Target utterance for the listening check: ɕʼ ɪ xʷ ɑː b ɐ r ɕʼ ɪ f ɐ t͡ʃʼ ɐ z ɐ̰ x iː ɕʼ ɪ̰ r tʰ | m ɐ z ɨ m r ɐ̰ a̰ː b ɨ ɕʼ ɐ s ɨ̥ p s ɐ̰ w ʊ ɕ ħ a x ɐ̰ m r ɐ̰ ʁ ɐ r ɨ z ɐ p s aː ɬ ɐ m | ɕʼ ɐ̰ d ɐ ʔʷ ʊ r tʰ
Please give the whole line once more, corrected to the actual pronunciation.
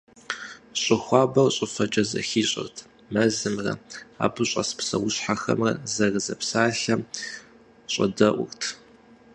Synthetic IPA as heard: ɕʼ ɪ xʷ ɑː b ɐ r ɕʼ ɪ f ɐ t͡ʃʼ ɐ z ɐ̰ x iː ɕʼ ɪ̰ r tʰ | m ɐ z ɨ m r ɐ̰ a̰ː b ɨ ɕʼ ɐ s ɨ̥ p s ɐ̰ w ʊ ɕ ħ a x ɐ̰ m r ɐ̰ z ɐ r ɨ z ɐ p s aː ɬ ɐ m | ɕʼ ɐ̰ d ɐ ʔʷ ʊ r tʰ